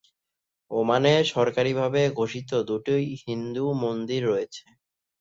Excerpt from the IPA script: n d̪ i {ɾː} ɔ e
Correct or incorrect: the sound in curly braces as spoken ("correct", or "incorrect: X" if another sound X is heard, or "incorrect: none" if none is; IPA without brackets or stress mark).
correct